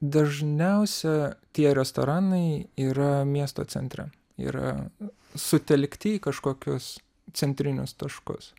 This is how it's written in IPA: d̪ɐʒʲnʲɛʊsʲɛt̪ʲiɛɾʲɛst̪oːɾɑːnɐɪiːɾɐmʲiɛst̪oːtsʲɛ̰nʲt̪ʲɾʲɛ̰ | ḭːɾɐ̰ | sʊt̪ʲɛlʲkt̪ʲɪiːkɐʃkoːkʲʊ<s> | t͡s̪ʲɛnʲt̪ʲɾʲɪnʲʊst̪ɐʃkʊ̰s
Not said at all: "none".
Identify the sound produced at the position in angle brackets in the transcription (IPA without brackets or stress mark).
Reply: s